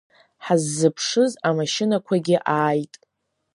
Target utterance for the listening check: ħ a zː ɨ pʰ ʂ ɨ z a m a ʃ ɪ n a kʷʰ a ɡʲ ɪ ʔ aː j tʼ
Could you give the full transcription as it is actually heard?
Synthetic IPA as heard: ħ a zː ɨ pʰ ʂ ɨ z a m a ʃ ɪ n a kʷʰ a ɡʲ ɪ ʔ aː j tʼ